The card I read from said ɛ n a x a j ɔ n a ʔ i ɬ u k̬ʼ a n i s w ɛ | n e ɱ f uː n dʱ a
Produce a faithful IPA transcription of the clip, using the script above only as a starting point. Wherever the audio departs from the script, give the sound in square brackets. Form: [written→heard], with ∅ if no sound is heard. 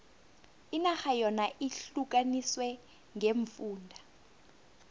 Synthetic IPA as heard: [ɛ→i] n a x a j ɔ n a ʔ i ɬ u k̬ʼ a n i s w ɛ | [n→ŋ] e ɱ f uː n dʱ a